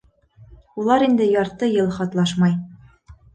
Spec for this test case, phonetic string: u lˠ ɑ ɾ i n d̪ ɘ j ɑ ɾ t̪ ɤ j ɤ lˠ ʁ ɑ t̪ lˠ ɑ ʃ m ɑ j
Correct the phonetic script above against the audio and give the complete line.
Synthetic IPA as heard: u lˠ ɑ ɾ i n d̪ ɘ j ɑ ɾ t̪ ɤ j ɤ lˠ χ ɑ t̪ lˠ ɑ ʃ m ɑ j